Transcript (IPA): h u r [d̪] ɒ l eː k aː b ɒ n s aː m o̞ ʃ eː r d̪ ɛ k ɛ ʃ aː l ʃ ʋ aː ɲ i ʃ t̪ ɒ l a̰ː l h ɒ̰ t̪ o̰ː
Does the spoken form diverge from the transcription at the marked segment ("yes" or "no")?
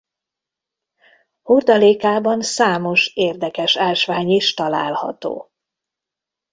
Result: no